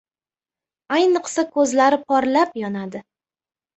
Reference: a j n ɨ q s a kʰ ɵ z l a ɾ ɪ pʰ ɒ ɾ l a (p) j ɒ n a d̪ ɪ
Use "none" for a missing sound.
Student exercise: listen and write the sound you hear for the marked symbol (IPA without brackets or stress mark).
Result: p